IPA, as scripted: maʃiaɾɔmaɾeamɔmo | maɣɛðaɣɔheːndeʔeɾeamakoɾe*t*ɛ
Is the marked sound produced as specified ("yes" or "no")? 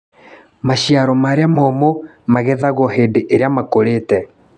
yes